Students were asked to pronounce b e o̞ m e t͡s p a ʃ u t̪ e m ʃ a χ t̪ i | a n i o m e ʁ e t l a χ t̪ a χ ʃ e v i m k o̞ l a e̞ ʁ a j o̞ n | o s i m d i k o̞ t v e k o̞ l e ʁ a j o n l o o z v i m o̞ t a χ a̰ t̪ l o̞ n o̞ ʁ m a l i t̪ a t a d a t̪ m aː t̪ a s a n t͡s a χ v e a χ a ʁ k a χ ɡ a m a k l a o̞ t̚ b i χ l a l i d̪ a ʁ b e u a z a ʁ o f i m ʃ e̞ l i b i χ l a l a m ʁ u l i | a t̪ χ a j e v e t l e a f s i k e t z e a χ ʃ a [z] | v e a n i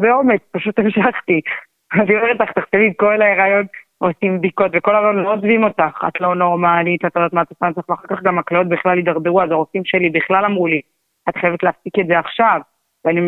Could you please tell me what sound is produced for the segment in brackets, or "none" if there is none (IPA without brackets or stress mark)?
v